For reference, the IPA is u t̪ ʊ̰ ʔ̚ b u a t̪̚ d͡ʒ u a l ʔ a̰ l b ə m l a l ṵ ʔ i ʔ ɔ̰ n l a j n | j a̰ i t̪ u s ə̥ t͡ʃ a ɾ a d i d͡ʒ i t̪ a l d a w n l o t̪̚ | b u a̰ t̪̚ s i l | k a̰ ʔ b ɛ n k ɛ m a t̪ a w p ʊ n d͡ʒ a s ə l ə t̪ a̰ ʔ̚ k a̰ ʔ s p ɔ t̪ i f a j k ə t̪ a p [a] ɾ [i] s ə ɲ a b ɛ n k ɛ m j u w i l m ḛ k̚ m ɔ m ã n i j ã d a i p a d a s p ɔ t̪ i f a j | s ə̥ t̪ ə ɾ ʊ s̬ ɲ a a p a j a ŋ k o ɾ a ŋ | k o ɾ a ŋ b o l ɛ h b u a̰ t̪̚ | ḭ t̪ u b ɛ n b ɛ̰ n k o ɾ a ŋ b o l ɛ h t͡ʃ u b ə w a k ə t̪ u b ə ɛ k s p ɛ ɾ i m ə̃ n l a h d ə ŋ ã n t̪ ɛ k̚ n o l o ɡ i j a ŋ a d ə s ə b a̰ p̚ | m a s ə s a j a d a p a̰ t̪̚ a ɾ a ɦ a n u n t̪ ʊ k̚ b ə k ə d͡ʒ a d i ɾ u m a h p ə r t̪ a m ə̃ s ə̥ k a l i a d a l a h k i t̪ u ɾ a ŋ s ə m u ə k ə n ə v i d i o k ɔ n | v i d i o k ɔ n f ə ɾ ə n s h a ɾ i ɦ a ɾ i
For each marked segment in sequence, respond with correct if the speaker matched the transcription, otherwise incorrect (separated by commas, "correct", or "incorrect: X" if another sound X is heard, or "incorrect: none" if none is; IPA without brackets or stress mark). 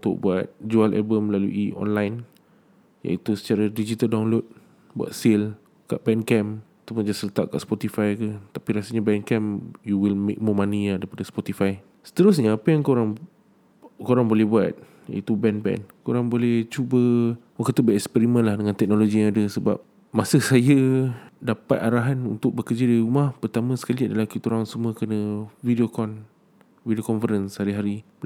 incorrect: i, incorrect: a